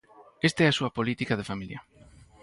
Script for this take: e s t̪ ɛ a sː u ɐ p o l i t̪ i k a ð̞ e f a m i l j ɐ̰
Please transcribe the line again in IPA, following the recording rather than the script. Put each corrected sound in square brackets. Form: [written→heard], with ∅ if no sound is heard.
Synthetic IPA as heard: e s t̪ ɛ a [sː→s] u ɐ p o l i t̪ i k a ð̞ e f a m i l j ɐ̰